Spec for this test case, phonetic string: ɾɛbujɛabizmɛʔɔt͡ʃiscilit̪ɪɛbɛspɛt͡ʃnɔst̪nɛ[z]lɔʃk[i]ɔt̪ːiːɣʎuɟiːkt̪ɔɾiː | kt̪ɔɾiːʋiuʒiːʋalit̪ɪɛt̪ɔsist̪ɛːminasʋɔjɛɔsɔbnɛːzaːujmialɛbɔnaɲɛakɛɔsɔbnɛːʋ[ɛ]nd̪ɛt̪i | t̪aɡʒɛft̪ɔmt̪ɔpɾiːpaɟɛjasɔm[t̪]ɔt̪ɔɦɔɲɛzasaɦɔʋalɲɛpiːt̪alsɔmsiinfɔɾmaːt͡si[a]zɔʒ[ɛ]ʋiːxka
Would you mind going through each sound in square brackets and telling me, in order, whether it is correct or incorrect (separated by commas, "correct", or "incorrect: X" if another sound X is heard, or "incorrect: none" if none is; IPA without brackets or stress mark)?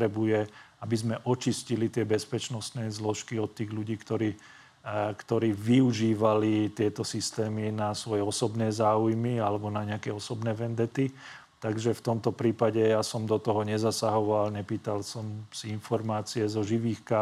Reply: correct, correct, correct, incorrect: d̪, incorrect: ɛ, incorrect: i